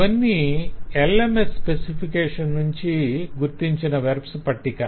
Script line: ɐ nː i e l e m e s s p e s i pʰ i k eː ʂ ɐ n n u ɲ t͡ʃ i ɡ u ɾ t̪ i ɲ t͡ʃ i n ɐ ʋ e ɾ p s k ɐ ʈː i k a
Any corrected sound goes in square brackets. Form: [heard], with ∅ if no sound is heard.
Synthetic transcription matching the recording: ɐ nː i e l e m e s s p e s i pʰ i k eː ʂ ɐ n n u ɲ t͡ʃ i ɡ u ɾ t̪ i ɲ t͡ʃ i n ɐ ʋ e ɾ p s [p] ɐ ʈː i k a